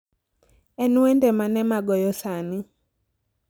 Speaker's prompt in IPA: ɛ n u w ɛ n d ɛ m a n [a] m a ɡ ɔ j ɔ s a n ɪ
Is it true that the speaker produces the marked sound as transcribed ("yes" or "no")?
no